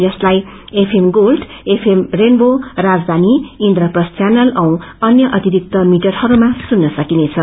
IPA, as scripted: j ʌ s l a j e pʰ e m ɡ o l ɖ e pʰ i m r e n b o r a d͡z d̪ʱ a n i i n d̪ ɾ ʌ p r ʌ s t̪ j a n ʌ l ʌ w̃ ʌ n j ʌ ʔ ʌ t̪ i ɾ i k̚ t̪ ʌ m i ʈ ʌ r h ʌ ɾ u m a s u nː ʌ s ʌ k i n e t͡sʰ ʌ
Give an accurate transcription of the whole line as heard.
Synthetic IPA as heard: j ʌ s l a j e pʰ e m ɡ o l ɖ e pʰ e m r e n b o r a d͡z d̪ʱ a n i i n d̪ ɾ ʌ p r ʌ s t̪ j a n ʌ l ʌ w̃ ʌ n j ʌ ʔ ʌ t̪ i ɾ i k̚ t̪ ʌ m i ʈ ʌ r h ʌ ɾ u m a s u nː ʌ s ʌ k i n e t͡sʰ ʌ

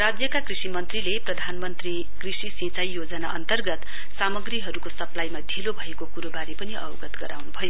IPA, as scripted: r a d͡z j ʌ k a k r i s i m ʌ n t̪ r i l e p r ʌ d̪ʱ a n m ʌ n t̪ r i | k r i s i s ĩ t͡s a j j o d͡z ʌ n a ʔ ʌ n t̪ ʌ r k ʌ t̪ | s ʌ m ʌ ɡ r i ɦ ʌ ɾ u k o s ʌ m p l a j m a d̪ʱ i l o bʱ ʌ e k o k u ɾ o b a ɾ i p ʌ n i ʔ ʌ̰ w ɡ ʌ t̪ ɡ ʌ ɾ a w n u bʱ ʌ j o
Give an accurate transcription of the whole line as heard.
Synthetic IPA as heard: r a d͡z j ʌ k a k r i s i m ʌ n t̪ r i l e p r ʌ d̪ʱ a n m ʌ n t̪ r i | k r i s i s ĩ t͡s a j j o d͡z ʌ n a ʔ ʌ n t̪ ʌ r ɡ ʌ t̪ | s a m ʌ ɡ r i ɦ ʌ ɾ u k o s ʌ p l a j m a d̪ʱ i l o bʱ ʌ e k o k u ɾ o b a ɾ i p ʌ n i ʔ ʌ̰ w ɡ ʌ t̪ ɡ ʌ ɾ a w n u bʱ ʌ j o

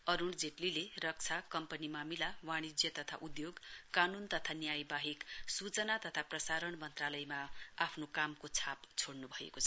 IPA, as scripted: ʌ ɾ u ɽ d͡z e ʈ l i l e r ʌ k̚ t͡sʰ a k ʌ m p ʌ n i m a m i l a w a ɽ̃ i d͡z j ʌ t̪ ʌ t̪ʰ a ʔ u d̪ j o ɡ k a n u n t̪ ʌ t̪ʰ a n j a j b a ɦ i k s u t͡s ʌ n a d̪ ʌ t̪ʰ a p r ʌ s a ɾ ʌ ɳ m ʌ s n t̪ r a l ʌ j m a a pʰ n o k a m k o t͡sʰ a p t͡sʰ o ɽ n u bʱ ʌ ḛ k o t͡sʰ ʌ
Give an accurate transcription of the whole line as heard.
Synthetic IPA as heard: ʌ ɾ u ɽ d͡z e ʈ l i l e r ʌ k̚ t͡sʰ a k ʌ m p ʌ n i m a m i l a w a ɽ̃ i d͡z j ʌ t̪ ʌ t̪ʰ a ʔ u d̪ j o ɡ k a n u n t̪ ʌ t̪ʰ a n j a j b a ɦ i k s u t͡s ʌ n a t̪ ʌ t̪ʰ a p r ʌ s a ɾ ʌ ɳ m ʌ n t̪ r a l ʌ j m a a pʰ n o k a m k o t͡sʰ a p t͡sʰ o ɽ n u bʱ ʌ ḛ k o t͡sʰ ʌ

